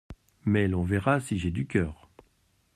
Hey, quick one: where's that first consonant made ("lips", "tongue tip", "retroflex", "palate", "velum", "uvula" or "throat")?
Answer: lips